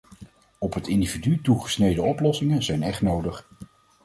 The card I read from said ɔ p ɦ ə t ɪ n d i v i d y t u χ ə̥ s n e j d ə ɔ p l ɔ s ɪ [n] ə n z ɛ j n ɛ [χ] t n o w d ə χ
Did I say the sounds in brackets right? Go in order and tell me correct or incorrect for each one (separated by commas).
incorrect, correct